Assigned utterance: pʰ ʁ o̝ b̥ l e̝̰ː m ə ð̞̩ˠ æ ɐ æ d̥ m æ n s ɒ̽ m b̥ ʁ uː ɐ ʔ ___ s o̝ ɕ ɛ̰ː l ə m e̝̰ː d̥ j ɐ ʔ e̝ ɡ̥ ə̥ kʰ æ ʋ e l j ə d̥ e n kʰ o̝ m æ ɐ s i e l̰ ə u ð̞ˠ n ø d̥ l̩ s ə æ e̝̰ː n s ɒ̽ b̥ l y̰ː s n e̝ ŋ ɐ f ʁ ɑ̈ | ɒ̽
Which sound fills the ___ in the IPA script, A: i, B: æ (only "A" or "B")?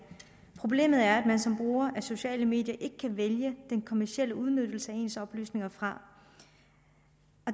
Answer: B